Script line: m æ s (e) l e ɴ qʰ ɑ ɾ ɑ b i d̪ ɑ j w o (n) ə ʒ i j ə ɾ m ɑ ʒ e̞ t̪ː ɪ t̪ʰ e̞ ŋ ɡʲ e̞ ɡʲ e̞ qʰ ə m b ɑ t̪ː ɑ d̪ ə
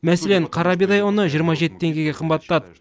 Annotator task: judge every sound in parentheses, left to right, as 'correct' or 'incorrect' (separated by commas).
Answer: correct, correct